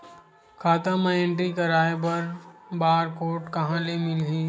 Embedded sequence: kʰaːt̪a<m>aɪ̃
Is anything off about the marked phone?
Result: no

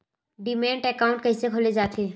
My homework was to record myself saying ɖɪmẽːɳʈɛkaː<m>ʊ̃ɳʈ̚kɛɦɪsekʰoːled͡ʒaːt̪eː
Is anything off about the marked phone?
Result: yes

